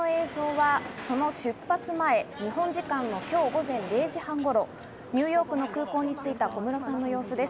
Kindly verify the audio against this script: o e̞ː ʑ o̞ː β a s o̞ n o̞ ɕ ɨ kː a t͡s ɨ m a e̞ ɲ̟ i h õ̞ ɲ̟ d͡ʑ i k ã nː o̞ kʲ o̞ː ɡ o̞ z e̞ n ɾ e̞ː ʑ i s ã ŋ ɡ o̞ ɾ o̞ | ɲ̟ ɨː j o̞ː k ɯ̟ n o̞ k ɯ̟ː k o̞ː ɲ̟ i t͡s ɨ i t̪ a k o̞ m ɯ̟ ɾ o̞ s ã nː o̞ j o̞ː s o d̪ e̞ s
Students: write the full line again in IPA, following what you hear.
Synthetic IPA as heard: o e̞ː z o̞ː β a s o̞ n o̞ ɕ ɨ pː a t͡s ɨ m a e̞ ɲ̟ i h õ̞ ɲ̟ d͡ʑ i k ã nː o̞ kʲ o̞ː ɡ o̞ z ẽ̞ n ɾ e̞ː ʑ i h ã ŋ ɡ o̞ ɾ o̞ | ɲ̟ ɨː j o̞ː k ɯ̟ n o̞ k ɯ̟ː k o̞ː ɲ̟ i t͡s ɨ i t̪ a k o̞ m ɯ̟ ɾ o̞ s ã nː o̞ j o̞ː s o d̪ e̞ s

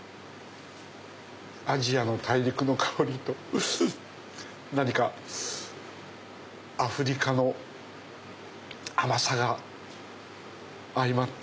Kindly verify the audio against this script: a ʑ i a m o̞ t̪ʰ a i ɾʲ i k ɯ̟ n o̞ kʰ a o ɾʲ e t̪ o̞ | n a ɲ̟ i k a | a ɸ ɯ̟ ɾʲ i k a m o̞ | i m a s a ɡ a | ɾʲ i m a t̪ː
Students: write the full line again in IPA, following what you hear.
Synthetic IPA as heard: a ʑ i a n o̞ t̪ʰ a i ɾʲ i k ɯ̟ n o̞ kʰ a o ɾʲ i t̪ o̞ | n a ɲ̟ i k a | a ɸ ɯ̟ ɾʲ i k a n o̞ | a m a s a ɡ a | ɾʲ i m a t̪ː

